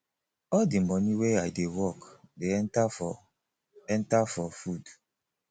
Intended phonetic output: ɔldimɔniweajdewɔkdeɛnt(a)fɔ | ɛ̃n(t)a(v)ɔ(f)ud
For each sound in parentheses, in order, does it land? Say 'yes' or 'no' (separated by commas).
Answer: yes, yes, no, yes